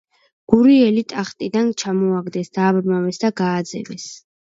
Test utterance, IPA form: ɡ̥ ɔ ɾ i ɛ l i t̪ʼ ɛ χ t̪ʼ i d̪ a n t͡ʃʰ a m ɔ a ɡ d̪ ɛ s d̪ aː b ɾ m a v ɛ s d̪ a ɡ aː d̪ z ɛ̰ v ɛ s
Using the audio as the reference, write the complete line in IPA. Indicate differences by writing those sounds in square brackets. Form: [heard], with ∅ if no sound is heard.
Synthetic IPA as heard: ɡ̥ [u] ɾ i ɛ l i t̪ʼ [a] χ t̪ʼ i d̪ a n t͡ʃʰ a m ɔ a ɡ d̪ ɛ s d̪ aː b ɾ m a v ɛ s d̪ a ɡ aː d̪ z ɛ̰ v ɛ s

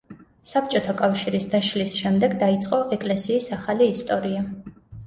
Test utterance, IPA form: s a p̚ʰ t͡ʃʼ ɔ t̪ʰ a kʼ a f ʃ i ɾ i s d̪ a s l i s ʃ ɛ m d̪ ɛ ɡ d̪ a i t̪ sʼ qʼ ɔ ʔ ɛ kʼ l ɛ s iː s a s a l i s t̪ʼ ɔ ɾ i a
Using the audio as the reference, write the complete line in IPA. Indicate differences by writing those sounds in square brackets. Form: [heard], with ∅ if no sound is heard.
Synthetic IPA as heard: s a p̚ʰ t͡ʃʼ ɔ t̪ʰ a kʼ a f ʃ i ɾ i s d̪ a [ʃ] l i s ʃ ɛ m d̪ ɛ ɡ d̪ a i t̪ sʼ qʼ ɔ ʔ ɛ kʼ l ɛ s iː s a [χ] a l [iː] s t̪ʼ ɔ ɾ i a

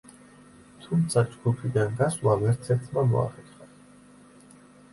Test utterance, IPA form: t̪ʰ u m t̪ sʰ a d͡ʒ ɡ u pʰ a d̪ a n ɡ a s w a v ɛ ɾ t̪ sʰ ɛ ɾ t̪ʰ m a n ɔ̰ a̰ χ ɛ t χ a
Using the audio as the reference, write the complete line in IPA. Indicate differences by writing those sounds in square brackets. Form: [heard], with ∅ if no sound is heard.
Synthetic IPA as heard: t̪ʰ u m t̪ sʰ a d͡ʒ ɡ u pʰ [i] d̪ a n ɡ a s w a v ɛ ɾ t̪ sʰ ɛ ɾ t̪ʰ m a [m] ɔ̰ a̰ χ ɛ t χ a

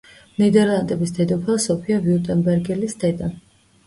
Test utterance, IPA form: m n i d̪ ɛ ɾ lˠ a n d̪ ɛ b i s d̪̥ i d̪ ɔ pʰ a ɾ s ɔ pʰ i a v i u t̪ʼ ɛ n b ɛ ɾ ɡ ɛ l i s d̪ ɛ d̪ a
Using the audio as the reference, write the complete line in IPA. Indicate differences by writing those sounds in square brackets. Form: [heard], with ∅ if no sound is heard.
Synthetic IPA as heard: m n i d̪ ɛ ɾ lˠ a n d̪ ɛ b i s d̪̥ [ɛ] d̪ ɔ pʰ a [∅] s ɔ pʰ i a v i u t̪ʼ ɛ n b ɛ ɾ ɡ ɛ l i s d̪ ɛ d̪ a

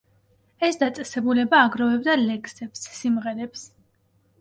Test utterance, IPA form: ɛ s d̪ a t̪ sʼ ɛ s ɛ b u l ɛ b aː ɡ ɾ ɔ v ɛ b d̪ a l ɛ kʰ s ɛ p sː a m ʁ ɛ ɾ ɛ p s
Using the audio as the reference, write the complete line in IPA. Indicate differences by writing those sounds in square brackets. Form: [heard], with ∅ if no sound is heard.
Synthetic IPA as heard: ɛ s d̪ a t̪ sʼ ɛ s ɛ b u l ɛ b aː ɡ ɾ ɔ v ɛ b d̪ a l ɛ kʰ s ɛ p sː [i] m ʁ ɛ ɾ ɛ p s

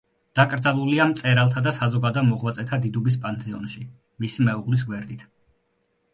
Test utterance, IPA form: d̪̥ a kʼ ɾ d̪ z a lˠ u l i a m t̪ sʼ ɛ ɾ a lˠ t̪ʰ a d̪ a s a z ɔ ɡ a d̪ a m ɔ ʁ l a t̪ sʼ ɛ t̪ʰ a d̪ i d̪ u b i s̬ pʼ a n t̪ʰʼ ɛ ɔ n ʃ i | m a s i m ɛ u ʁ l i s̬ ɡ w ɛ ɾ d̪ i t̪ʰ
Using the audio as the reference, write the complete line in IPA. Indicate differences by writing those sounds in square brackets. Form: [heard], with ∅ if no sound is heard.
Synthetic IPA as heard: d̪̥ a kʼ ɾ d̪ z a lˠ u l i a m t̪ sʼ ɛ ɾ a lˠ t̪ʰ a d̪ a s a z ɔ ɡ a d̪ a m ɔ ʁ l a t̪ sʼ ɛ t̪ʰ a d̪ i d̪ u b i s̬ pʼ a n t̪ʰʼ ɛ ɔ n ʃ i | m [i] s i m ɛ u ʁ l i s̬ ɡ w ɛ ɾ d̪ i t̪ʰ

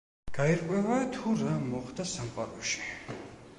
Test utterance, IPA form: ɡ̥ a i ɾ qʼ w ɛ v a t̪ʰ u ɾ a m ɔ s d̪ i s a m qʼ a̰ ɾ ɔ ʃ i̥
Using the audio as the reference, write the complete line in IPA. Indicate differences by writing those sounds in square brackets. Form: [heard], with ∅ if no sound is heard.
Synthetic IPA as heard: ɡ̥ a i ɾ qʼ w ɛ v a t̪ʰ u ɾ a m ɔ [χ] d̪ [a] s a m qʼ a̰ ɾ ɔ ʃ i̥

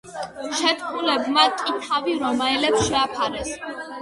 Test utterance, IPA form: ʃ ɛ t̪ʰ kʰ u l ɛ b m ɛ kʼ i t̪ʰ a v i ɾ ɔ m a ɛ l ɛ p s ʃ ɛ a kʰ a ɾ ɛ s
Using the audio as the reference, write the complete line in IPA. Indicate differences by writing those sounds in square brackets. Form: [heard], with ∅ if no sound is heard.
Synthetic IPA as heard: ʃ ɛ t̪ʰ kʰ u l ɛ b m [a] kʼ i t̪ʰ a v i ɾ ɔ m a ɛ l ɛ p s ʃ ɛ a [pʰ] a ɾ ɛ s

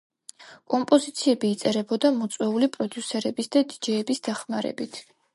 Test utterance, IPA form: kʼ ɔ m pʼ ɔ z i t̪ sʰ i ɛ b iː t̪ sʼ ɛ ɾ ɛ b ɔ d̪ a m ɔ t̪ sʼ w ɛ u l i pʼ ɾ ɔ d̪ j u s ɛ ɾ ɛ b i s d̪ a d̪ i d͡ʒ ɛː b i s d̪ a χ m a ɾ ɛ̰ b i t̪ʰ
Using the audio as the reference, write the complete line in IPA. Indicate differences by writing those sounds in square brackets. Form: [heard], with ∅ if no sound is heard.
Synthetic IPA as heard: kʼ ɔ m pʼ ɔ z i t̪ sʰ i ɛ b iː t̪ sʼ ɛ ɾ ɛ b ɔ d̪ a m ɔ t̪ sʼ w ɛ u l i pʼ ɾ ɔ d̪ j u s ɛ ɾ ɛ b i s d̪ a d̪ i d͡ʒ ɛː b i s d̪ a χ m a ɾ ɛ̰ b i t̪ʰ

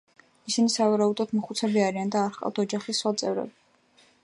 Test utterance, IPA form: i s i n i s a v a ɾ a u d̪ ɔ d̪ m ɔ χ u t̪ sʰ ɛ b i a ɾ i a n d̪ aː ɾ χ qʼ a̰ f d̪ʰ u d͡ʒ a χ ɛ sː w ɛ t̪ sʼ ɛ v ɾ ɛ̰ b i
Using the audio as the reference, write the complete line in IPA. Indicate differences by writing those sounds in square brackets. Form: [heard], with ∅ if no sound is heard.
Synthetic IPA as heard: i s i n i s a v a ɾ a u d̪ ɔ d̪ m ɔ χ u t̪ sʰ ɛ b i a ɾ i a n d̪ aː ɾ χ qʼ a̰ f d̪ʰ [ɔ] d͡ʒ a χ [i] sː w [a] t̪ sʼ ɛ v ɾ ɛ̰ b i

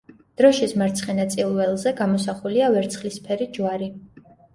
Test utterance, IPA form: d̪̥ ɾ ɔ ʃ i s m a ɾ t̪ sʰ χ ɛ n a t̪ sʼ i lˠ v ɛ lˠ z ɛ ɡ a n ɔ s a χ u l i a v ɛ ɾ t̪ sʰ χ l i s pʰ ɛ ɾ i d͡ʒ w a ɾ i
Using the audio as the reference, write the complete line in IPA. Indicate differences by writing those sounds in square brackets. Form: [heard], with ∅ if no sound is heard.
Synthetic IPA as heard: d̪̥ ɾ ɔ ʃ i s m a ɾ t̪ sʰ χ ɛ n a t̪ sʼ i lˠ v ɛ lˠ z ɛ ɡ a [m] ɔ s a χ u l i a v ɛ ɾ t̪ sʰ χ l i s pʰ ɛ ɾ i d͡ʒ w a ɾ i

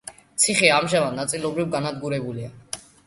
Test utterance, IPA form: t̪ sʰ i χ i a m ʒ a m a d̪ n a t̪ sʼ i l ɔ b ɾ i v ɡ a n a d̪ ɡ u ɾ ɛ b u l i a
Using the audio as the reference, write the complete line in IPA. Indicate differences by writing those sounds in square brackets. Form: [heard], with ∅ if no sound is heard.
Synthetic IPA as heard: t̪ sʰ i χ i a m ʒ a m a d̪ n a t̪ sʼ i l ɔ b ɾ i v ɡ a n a d̪ ɡ u ɾ ɛ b u l i a

